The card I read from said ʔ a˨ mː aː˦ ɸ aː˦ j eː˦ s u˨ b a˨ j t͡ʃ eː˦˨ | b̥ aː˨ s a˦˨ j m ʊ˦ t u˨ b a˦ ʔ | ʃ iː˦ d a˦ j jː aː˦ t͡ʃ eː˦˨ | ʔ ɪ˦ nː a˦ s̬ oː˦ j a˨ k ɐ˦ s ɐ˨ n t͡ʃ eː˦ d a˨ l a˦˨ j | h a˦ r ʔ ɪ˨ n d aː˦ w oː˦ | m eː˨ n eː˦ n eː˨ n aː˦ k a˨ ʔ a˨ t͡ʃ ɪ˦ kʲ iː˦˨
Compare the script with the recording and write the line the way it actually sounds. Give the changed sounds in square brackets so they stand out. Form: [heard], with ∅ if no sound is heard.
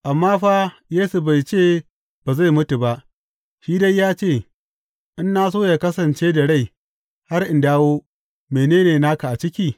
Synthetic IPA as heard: ʔ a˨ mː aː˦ ɸ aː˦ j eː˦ s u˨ b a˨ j t͡ʃ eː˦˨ | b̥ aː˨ [z] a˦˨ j m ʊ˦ t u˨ b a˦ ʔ | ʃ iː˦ d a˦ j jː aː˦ t͡ʃ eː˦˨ | ʔ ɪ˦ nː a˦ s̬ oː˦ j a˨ k ɐ˦ s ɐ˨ n t͡ʃ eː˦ d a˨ [ɽ] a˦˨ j | h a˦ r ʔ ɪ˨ n d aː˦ w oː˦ | m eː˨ n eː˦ n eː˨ n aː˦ k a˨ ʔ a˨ t͡ʃ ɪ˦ kʲ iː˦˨